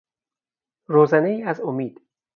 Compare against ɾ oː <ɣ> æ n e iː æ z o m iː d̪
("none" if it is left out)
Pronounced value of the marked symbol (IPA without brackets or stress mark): z